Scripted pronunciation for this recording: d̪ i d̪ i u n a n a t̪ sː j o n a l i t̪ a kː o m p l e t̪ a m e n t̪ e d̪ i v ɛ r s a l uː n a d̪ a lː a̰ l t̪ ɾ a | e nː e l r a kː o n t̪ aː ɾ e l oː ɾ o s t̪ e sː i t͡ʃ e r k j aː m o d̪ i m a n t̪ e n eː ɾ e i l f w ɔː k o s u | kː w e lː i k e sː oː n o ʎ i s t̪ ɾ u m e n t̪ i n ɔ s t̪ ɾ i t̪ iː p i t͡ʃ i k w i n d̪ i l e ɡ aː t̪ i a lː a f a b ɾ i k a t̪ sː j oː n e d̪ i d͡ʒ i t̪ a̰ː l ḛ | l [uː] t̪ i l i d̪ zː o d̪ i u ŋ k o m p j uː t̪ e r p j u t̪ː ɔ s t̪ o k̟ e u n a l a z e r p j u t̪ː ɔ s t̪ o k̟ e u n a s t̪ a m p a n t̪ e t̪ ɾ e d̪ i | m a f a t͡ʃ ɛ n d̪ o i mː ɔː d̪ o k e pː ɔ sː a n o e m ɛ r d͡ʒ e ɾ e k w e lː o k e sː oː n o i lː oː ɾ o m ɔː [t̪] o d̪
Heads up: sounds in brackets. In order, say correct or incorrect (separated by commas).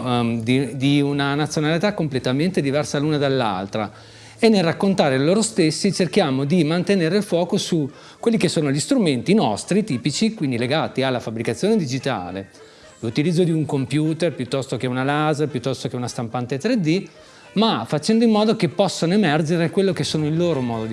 incorrect, incorrect